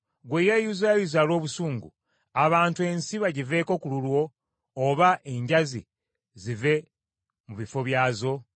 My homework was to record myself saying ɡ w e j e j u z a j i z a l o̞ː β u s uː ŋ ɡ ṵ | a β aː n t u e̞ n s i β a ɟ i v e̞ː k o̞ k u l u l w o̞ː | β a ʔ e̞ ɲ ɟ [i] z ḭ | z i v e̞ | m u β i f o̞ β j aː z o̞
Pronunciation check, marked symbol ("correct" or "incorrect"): incorrect